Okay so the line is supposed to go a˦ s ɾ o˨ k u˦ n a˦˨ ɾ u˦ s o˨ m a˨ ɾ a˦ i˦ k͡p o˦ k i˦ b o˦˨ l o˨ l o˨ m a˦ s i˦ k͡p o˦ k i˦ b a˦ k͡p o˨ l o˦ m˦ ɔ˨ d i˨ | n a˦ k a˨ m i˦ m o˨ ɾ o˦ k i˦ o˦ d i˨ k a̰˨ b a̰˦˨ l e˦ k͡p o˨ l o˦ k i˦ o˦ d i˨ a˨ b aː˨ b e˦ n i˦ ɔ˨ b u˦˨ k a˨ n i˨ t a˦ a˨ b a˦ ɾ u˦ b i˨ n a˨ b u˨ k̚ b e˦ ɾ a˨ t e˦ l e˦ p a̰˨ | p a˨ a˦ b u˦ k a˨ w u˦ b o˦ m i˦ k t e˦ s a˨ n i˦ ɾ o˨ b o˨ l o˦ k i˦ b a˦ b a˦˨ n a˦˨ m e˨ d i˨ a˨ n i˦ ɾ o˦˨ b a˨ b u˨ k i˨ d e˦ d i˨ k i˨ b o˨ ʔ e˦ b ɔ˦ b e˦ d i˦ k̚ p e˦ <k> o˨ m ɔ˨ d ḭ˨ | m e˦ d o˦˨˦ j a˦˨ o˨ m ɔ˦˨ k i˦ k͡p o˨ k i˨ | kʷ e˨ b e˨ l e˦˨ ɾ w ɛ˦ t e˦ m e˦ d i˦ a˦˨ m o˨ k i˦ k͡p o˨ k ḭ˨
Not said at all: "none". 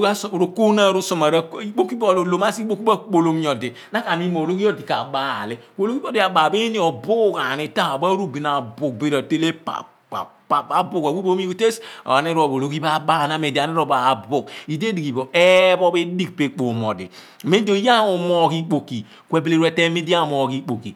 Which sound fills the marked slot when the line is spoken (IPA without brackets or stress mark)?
k͡p